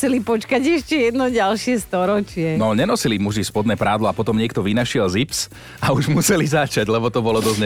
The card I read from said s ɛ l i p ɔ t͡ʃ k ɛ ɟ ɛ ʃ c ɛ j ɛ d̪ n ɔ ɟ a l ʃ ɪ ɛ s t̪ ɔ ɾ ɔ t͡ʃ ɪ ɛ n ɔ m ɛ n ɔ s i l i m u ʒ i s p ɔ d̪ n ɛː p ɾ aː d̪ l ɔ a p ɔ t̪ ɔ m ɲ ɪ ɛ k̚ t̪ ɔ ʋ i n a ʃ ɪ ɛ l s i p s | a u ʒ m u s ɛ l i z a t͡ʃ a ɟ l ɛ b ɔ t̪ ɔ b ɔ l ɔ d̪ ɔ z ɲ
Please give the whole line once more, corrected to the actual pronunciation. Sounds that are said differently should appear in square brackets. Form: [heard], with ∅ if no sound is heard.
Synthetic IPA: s ɛ l i p ɔ t͡ʃ k [a] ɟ ɛ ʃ c ɛ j ɛ d̪ n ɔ ɟ a l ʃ ɪ ɛ s t̪ ɔ ɾ ɔ t͡ʃ ɪ ɛ n ɔ [ɲ] ɛ n ɔ s i l i m u ʒ i s p ɔ d̪ n ɛː p ɾ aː d̪ l ɔ a p ɔ t̪ ɔ m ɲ ɪ ɛ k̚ t̪ ɔ ʋ i n a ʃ ɪ ɛ l [z] i p s | a u ʒ m u s ɛ l i z a t͡ʃ a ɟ l ɛ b ɔ t̪ ɔ b ɔ l ɔ d̪ ɔ z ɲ